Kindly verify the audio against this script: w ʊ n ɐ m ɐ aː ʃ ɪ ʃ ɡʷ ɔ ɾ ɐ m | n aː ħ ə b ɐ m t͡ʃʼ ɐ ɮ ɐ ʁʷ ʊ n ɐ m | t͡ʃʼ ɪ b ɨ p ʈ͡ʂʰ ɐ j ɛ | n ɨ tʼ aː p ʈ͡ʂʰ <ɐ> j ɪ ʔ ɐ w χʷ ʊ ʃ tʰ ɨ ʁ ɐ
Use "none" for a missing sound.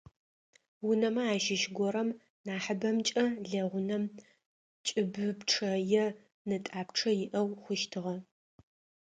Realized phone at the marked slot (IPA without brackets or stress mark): ɐ